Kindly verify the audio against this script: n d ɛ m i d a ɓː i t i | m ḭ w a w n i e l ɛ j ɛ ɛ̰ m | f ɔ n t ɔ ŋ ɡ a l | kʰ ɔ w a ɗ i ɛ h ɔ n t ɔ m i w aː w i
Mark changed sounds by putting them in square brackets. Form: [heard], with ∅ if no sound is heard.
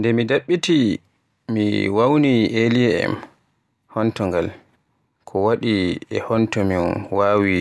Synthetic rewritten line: n d ɛ m i d a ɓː i t i | m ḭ w a w n i e l [i] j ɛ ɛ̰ m | [h] ɔ n t ɔ ŋ ɡ a l | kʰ ɔ w a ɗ i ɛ h ɔ n t ɔ m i w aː w i